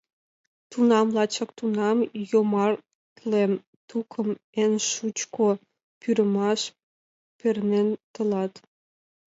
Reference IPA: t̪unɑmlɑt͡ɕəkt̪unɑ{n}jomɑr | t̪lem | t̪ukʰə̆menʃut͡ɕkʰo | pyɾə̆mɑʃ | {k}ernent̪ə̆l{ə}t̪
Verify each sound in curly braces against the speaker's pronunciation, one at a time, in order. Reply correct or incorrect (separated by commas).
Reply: incorrect, incorrect, incorrect